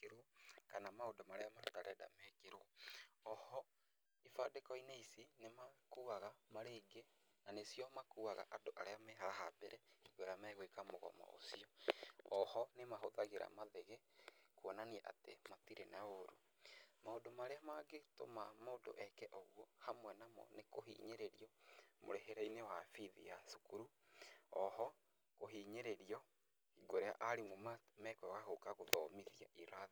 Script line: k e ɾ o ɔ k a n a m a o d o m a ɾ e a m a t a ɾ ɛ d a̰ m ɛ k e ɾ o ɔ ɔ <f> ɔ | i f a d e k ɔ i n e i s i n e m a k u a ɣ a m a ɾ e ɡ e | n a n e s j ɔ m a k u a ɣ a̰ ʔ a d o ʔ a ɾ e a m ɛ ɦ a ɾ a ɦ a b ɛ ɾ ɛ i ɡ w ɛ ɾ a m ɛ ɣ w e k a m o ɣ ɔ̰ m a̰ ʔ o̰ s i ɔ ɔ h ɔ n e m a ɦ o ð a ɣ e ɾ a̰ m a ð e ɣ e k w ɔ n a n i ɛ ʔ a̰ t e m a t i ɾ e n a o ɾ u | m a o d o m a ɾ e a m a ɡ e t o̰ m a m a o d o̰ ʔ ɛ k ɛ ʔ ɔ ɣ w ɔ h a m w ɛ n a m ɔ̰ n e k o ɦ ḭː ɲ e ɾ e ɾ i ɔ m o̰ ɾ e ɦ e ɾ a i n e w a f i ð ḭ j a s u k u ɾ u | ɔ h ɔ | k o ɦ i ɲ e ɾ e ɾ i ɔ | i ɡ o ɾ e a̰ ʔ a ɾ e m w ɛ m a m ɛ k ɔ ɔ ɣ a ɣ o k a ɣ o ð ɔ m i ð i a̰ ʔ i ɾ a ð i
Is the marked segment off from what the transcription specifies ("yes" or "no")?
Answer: yes